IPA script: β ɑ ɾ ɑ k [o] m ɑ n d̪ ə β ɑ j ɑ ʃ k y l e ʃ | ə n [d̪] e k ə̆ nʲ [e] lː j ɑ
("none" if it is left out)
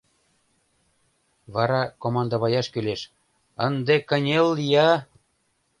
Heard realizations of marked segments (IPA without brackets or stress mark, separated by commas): o, d̪, e